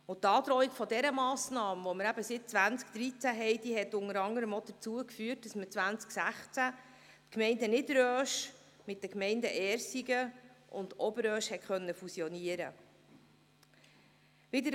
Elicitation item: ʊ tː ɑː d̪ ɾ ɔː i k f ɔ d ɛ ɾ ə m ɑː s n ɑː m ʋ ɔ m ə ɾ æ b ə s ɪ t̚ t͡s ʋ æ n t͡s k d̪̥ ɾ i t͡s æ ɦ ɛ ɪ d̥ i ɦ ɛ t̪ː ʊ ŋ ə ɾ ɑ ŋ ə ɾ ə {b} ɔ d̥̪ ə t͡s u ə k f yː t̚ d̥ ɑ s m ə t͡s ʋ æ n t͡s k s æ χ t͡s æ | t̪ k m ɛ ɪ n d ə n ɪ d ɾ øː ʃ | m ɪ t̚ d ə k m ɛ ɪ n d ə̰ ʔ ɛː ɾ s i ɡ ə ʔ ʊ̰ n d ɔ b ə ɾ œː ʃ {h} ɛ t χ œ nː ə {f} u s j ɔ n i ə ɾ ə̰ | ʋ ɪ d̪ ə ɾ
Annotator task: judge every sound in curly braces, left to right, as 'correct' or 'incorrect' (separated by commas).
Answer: incorrect, correct, correct